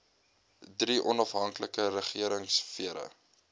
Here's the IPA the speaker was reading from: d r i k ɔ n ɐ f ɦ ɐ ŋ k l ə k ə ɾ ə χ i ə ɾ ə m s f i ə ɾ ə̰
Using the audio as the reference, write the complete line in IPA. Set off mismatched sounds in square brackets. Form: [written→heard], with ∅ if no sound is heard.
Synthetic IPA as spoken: d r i [k→ʔ] ɔ n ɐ f ɦ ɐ ŋ k l ə k ə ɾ ə χ i ə ɾ ə [m→ŋ] s f i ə ɾ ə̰